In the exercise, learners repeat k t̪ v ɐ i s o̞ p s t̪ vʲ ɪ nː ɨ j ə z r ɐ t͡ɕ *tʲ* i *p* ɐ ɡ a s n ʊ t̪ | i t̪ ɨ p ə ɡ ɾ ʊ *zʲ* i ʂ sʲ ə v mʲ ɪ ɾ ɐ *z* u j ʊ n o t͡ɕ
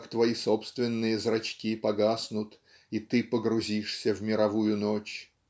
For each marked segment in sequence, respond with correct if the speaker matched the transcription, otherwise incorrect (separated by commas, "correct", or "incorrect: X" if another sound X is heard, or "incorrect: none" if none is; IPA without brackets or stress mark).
incorrect: kʲ, correct, correct, incorrect: v